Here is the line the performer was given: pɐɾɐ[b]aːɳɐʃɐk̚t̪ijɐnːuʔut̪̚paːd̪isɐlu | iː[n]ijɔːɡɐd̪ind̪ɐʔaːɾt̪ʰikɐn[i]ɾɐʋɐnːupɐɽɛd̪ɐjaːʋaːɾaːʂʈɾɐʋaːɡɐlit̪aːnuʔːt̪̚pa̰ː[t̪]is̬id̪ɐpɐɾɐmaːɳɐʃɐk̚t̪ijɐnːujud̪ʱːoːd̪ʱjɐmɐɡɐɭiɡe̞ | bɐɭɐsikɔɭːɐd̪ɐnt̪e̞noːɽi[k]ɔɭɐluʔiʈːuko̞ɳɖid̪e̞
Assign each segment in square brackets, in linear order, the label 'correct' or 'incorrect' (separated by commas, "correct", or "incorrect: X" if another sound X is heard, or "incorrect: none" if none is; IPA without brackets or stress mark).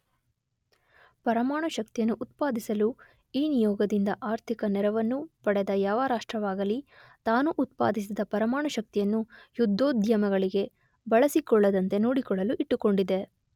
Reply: incorrect: m, correct, incorrect: ɛ, incorrect: d̪, correct